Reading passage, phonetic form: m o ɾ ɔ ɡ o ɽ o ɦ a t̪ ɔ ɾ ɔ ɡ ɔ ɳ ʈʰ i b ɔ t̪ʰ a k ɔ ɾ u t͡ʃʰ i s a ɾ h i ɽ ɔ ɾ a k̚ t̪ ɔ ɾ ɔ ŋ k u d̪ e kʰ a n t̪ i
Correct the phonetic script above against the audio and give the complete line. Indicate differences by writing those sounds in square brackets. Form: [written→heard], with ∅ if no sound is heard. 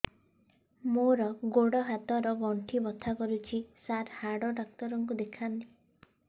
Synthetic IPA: m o ɾ ɔ ɡ o ɽ [o→ɔ] ɦ a t̪ ɔ ɾ ɔ ɡ ɔ ɳ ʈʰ i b ɔ t̪ʰ a k ɔ ɾ u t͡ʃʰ i s a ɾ h [i→a] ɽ ɔ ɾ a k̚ t̪ ɔ ɾ ɔ ŋ k u d̪ e kʰ a n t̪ i